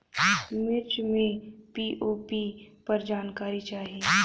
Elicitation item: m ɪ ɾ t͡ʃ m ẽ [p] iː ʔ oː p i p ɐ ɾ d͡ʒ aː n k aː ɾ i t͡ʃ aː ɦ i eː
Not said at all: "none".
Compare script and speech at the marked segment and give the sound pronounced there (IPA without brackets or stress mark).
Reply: p